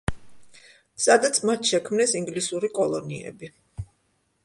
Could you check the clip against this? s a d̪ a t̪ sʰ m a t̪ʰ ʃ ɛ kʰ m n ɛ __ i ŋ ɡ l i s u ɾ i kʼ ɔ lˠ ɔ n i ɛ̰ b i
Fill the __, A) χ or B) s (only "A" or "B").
B